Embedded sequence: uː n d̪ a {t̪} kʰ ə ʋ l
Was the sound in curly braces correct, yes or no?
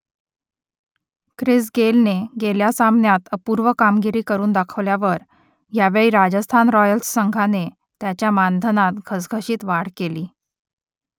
no